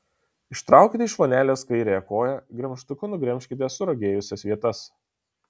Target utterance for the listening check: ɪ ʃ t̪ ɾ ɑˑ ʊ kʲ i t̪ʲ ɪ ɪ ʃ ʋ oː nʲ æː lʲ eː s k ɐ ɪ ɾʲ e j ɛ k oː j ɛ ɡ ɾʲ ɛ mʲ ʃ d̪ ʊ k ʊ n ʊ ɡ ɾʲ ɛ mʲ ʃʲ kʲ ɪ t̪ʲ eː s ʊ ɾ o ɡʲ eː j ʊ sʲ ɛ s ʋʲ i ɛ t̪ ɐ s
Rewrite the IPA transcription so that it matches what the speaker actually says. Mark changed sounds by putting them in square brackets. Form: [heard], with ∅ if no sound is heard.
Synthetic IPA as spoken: ɪ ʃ t̪ ɾ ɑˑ ʊ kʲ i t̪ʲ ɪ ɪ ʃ ʋ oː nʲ æː lʲ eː s k ɐ ɪ ɾʲ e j ɛ k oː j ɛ ɡ ɾʲ ɛ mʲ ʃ [t̪] ʊ k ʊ n ʊ ɡ ɾʲ ɛ mʲ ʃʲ kʲ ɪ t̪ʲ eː s ʊ ɾ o ɡʲ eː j ʊ sʲ ɛ s ʋʲ i ɛ t̪ ɐ s